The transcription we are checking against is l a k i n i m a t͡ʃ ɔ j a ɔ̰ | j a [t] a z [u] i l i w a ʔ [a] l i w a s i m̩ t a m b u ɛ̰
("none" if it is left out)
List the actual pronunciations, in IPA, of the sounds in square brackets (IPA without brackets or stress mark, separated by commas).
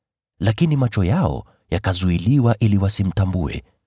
k, u, i